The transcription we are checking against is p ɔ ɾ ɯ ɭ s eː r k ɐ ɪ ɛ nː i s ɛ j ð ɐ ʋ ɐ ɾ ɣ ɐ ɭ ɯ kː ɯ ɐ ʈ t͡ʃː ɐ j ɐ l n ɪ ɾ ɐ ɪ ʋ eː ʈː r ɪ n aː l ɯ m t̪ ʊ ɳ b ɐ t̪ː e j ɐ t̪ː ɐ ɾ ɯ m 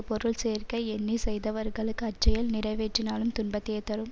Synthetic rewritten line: p ɔ ɾ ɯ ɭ s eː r k ɐ ɪ ɛ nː i s ɛ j ð ɐ ʋ ɐ ɾ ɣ ɐ ɭ ɯ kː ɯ ɐ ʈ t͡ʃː ɐ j ɐ l n ɪ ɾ ɐ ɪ ʋ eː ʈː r ɪ n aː l ɯ m t̪ ʊ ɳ b ɐ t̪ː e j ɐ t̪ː ɐ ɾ ɯ m